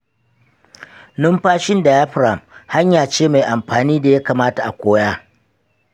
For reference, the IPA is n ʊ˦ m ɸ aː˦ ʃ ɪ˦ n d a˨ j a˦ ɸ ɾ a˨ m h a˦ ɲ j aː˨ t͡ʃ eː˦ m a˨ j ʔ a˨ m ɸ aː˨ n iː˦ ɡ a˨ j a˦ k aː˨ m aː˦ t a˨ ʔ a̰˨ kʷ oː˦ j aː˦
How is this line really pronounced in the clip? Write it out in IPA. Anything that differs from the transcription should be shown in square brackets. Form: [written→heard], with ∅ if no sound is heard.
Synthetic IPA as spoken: n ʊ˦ m ɸ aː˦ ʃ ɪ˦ n d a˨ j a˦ ɸ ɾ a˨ m h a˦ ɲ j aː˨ t͡ʃ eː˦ m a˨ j ʔ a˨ m ɸ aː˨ n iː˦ [ɡ→d] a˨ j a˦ k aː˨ m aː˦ t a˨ ʔ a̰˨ kʷ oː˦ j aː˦